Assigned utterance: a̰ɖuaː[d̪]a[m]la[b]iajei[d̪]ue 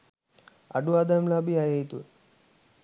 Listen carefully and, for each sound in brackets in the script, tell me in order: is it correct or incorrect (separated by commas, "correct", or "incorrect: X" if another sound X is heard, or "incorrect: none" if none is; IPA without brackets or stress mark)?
correct, correct, correct, incorrect: t̪